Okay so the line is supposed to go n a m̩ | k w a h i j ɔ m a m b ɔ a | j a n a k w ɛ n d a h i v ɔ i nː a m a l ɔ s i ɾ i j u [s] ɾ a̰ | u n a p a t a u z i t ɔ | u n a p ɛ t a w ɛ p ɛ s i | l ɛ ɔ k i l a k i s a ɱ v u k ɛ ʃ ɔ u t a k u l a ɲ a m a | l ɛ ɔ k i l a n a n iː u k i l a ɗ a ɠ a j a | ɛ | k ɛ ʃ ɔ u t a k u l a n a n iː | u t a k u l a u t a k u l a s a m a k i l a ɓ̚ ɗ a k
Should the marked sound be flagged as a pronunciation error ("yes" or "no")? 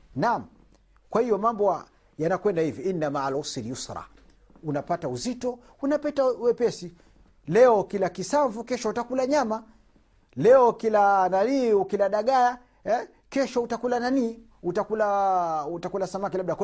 no